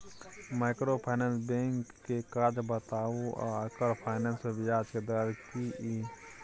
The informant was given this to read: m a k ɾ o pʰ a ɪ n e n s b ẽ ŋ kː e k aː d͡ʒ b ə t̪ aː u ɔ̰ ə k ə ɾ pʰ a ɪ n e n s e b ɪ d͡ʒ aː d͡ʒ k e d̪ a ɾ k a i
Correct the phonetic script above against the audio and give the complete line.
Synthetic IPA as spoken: m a k ɾ o pʰ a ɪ n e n s b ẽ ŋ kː e k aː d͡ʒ b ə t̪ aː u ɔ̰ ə k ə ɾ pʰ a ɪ n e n s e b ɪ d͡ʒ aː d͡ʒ k e d̪ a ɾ k i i